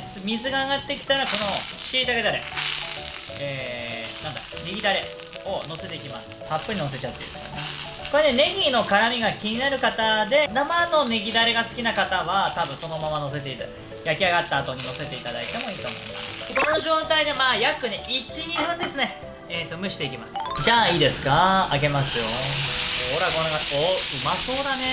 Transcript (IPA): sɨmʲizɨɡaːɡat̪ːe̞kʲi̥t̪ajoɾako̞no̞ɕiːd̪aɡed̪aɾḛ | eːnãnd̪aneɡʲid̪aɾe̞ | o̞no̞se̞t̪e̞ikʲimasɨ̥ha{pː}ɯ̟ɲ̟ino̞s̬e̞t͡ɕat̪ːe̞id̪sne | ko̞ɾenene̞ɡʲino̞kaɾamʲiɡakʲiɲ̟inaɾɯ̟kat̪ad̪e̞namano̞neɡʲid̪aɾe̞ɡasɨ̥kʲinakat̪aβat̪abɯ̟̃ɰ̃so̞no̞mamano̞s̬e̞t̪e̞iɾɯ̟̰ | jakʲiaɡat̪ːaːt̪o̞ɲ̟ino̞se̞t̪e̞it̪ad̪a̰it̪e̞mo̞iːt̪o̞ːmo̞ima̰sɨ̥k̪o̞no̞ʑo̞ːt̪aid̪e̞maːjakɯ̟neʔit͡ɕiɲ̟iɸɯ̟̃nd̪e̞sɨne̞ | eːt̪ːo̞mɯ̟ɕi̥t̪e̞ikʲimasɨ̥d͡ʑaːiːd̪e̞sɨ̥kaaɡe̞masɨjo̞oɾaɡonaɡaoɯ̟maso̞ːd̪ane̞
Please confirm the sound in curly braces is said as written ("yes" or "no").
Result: yes